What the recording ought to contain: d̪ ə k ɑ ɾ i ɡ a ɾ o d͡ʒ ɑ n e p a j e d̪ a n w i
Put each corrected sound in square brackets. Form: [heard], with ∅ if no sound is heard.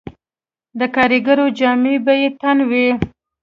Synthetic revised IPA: d̪ ə k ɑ ɾ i ɡ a ɾ o d͡ʒ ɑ [m] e [b] a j e [t̪] a n w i